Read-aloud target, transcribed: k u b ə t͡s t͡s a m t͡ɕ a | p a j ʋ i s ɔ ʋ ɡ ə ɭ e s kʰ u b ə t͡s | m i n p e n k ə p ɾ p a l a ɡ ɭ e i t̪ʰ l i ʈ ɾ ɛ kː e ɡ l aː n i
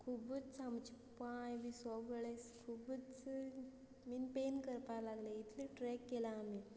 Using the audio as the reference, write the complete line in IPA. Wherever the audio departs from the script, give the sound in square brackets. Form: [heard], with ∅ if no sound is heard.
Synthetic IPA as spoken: [kʰ] u b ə t͡s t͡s a m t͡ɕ [i] | p a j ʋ i s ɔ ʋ ɡ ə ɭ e s kʰ u b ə t͡s | m i n p e n k ə [∅] ɾ p a l a ɡ [l] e i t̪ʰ l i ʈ ɾ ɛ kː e [∅] l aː [m] i